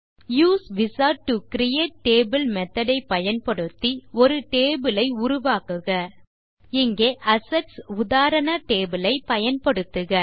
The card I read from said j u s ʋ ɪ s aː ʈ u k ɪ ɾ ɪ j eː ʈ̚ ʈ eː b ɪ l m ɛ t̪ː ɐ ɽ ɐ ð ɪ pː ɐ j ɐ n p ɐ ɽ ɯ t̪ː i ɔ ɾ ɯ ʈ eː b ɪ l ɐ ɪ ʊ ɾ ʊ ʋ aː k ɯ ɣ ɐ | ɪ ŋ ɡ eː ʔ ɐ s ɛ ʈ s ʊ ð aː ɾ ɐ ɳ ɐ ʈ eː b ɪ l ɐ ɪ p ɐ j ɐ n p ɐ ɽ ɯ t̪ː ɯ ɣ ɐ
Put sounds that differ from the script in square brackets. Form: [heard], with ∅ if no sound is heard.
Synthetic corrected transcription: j [uː] s ʋ ɪ s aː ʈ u k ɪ ɾ ɪ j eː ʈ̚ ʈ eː b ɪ l m ɛ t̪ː ɐ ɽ ɐ [∅] ɪ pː ɐ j ɐ n p ɐ ɽ ɯ t̪ː i ɔ ɾ ɯ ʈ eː b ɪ l ɐ ɪ ʊ ɾ ʊ ʋ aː k ɯ ɣ ɐ | ɪ ŋ ɡ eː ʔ ɐ s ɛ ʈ s ʊ ð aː ɾ ɐ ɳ ɐ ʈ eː b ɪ l ɐ ɪ p ɐ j ɐ n p ɐ ɽ ɯ t̪ː ɯ ɣ ɐ